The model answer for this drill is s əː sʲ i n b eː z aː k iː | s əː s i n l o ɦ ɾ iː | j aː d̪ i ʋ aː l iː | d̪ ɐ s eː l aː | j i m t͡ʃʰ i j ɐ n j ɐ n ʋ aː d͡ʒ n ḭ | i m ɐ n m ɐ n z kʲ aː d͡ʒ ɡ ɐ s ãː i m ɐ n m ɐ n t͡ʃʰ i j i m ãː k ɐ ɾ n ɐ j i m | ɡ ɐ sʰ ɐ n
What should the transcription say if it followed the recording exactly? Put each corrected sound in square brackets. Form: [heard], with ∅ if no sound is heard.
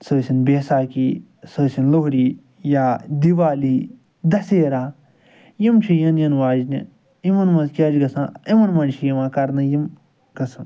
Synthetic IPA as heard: s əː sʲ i n b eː [s] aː k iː | s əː s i n l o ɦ ɾ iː | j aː d̪ i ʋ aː l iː | d̪ ɐ s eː [ɾ] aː | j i m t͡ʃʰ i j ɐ n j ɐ n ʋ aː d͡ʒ n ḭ | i m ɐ n m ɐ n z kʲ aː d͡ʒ ɡ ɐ s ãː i m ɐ n m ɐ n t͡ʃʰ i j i m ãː k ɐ ɾ n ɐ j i m | ɡ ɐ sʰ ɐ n